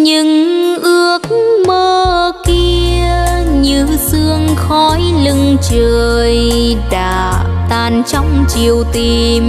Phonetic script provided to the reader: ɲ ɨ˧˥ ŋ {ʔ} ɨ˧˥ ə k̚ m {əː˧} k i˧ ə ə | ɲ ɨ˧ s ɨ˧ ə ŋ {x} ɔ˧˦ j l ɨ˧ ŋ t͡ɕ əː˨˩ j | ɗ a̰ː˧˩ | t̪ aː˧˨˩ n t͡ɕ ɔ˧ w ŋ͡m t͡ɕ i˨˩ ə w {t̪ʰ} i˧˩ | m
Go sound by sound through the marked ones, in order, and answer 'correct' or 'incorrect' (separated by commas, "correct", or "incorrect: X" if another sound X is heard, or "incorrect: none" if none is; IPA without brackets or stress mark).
correct, correct, correct, incorrect: t̪